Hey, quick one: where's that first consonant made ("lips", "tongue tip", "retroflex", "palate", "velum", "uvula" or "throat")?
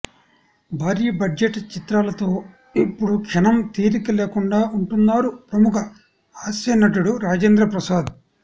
lips